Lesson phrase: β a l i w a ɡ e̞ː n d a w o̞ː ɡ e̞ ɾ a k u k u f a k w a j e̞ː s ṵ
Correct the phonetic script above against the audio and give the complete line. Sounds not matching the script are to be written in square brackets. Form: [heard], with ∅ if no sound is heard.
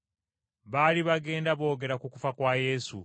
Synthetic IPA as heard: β a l i [β] a ɡ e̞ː n d a [β] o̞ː ɡ e̞ ɾ a k u k u f a k w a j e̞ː s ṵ